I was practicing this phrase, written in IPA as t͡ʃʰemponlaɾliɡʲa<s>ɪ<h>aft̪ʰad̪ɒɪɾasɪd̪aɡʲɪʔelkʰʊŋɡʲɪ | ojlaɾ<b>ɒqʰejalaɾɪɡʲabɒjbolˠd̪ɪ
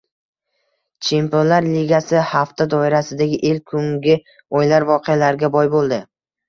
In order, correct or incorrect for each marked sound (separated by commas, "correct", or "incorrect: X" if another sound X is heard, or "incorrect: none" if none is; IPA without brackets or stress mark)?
correct, correct, incorrect: v